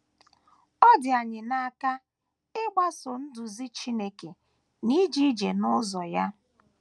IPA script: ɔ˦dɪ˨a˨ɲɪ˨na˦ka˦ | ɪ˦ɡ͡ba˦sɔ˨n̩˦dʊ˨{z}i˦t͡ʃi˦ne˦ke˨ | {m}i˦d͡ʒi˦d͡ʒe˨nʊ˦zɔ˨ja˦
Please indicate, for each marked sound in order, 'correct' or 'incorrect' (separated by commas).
correct, incorrect